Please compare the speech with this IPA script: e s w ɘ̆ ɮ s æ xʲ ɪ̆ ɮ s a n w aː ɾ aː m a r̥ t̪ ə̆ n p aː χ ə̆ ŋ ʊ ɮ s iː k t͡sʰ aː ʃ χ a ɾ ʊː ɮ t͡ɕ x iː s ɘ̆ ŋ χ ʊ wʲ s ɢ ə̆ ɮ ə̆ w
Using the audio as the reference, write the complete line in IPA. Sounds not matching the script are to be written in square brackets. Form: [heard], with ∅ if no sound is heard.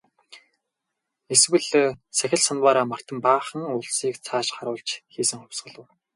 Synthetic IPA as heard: e s w ɘ̆ ɮ s æ xʲ ɪ̆ ɮ s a n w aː ɾ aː m a r̥ t̪ ə̆ [m] p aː χ ə̆ ŋ ʊ ɮ s iː k t͡sʰ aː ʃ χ a ɾ ʊː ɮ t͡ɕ x iː s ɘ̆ ŋ χ ʊ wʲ s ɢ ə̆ ɮ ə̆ w